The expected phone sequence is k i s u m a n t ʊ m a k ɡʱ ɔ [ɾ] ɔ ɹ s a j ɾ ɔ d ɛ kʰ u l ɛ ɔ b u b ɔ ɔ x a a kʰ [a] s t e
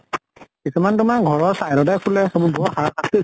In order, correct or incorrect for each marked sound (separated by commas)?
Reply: incorrect, correct